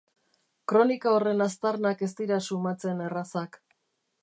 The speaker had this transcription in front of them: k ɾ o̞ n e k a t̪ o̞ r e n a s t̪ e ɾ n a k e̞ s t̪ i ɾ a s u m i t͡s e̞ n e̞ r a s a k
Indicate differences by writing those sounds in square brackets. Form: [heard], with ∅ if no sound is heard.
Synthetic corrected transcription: k ɾ o̞ n [i] k a [∅] o̞ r e n a s t̪ [a] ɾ n a k e̞ s t̪ i ɾ a s u m [a] t͡s e̞ n e̞ r a s a k